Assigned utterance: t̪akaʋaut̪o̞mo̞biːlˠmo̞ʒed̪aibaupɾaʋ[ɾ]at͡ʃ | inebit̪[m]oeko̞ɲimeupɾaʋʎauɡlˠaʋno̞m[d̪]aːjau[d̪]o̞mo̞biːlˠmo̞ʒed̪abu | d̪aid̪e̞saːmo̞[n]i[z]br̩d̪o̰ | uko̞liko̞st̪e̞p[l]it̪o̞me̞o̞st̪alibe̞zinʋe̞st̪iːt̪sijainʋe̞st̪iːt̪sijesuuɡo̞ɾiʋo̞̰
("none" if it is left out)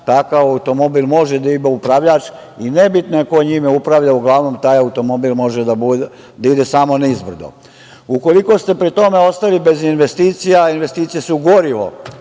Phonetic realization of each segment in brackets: ʎ, n, t̪, t̪, n, z, ɾ

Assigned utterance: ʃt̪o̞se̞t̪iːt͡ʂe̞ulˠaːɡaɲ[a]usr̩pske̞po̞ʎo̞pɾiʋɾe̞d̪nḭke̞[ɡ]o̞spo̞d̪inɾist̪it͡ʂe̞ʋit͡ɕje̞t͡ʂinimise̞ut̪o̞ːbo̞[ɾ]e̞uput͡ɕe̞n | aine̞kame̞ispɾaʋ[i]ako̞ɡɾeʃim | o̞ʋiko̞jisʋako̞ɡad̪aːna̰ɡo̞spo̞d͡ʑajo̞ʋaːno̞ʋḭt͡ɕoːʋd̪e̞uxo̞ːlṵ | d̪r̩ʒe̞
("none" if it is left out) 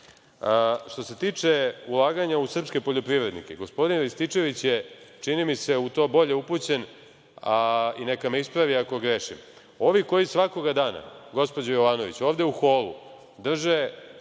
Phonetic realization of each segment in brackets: a, ɡ, ʎ, i

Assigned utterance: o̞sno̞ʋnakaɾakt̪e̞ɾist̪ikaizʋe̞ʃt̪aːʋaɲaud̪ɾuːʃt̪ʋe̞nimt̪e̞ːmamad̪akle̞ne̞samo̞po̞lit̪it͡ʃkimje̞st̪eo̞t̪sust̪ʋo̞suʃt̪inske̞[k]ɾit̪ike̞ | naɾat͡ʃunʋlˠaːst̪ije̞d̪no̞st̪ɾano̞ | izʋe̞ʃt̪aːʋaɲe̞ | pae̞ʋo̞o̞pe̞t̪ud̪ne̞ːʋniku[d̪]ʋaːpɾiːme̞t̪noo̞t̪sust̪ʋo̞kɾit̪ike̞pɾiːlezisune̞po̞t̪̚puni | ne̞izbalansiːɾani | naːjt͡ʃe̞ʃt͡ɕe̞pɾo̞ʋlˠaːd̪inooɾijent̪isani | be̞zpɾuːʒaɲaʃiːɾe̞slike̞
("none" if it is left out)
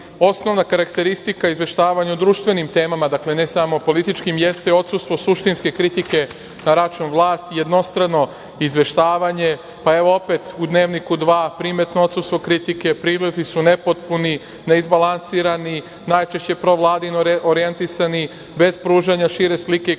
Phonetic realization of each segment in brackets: k, d̪

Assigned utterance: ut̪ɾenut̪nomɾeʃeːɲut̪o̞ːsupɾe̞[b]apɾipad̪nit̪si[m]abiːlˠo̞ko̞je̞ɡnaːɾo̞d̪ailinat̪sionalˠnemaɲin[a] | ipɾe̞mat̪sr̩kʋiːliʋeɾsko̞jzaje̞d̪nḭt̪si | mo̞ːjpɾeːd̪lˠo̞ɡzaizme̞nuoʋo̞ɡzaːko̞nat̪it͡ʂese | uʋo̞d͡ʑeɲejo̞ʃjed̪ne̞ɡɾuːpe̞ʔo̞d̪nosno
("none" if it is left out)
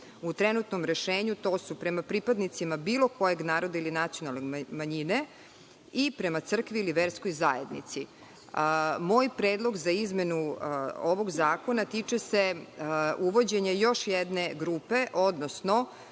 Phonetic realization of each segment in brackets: m, m, e

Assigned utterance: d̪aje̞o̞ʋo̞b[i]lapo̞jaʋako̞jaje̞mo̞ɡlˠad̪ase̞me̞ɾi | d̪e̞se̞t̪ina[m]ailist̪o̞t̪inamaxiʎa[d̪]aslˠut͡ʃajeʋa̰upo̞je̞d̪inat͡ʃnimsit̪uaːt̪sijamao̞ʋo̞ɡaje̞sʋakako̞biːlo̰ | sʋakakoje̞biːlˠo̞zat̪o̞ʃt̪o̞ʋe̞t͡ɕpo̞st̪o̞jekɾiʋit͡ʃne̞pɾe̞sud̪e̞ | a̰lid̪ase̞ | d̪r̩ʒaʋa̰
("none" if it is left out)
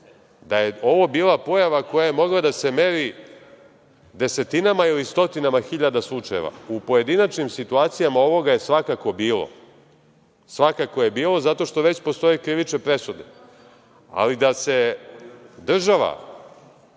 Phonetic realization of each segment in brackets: iː, m, d̪

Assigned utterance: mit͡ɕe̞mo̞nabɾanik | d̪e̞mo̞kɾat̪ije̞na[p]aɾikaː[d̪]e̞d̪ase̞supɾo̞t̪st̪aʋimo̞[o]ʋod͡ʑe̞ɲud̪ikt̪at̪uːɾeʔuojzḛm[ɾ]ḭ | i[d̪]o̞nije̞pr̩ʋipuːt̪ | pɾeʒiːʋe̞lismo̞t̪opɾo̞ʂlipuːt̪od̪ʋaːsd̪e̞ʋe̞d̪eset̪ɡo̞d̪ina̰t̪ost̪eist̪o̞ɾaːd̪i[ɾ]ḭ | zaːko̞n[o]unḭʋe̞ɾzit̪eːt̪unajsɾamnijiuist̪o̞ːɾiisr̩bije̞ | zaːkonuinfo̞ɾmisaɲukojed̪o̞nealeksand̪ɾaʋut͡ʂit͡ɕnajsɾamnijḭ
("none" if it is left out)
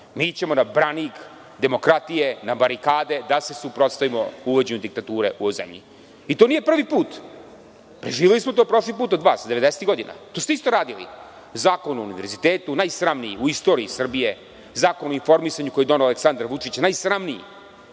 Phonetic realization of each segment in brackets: b, d̪, u, ʎ, t̪, l, u

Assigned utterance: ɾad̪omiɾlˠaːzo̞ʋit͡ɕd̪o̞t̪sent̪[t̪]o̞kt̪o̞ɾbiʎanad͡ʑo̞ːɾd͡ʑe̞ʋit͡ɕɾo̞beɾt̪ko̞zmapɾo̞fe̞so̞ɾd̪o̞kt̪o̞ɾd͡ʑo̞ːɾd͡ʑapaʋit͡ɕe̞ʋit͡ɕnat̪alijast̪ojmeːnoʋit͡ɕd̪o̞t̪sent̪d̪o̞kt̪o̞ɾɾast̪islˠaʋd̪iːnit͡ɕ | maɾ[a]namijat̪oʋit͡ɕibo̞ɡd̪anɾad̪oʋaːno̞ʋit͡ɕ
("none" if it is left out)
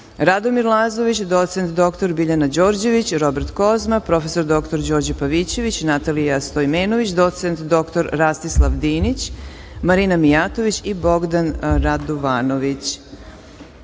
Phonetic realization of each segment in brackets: d̪, i

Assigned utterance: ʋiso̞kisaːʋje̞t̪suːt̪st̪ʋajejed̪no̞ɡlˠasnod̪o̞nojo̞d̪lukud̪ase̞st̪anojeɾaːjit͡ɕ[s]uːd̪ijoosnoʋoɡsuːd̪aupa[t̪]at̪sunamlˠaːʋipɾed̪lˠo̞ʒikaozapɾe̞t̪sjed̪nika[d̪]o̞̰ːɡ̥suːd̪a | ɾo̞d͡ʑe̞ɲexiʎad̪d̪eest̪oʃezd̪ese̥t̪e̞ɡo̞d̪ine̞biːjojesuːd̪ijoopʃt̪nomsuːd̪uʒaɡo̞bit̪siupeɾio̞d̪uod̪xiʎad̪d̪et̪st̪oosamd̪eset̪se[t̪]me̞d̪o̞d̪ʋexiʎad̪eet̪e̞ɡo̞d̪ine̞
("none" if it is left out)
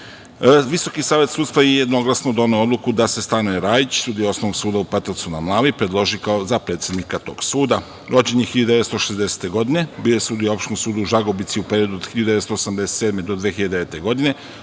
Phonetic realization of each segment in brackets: s, t̪, t̪, d̪

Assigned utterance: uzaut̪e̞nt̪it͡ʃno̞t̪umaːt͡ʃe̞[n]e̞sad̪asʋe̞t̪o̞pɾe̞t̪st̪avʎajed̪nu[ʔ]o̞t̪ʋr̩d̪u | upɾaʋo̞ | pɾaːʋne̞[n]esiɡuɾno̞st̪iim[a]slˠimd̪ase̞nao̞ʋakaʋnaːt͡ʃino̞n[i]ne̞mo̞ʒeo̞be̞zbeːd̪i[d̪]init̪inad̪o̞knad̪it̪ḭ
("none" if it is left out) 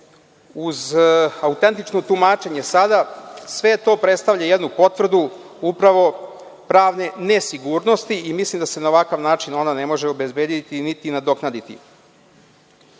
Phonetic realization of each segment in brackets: ɲ, p, n, i, a, t̪

